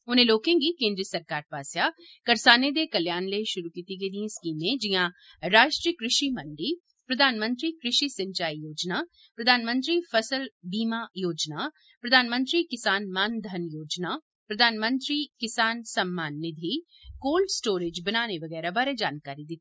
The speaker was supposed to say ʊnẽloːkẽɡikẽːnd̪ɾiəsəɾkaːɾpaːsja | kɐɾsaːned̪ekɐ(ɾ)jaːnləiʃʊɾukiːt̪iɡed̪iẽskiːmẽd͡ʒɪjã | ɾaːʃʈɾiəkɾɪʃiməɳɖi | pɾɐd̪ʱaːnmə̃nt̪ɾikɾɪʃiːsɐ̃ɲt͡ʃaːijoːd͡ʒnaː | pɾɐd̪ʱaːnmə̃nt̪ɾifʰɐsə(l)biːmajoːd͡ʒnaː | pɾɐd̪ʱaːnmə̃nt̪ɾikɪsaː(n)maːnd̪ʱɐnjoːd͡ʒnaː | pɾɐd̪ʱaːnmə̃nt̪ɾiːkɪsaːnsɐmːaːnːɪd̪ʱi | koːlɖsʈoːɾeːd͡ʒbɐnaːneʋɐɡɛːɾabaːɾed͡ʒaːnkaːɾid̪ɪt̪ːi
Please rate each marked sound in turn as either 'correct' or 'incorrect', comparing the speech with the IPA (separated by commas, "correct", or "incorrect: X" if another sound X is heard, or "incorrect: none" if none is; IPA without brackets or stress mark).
incorrect: l, correct, correct